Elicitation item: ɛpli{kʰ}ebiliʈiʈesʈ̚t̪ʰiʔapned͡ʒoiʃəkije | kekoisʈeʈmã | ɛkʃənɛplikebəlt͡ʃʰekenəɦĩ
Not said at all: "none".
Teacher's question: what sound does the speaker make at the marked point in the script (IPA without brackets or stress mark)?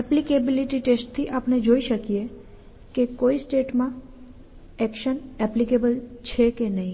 k